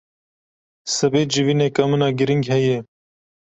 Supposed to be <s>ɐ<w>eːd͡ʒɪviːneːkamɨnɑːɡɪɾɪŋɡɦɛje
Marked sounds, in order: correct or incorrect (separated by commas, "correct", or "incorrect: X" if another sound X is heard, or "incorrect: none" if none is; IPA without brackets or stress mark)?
correct, incorrect: b